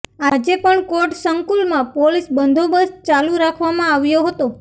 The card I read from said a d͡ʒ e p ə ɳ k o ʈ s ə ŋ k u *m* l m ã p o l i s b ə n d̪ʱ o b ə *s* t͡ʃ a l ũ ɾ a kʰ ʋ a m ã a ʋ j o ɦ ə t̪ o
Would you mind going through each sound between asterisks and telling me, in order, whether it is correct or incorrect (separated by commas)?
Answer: incorrect, correct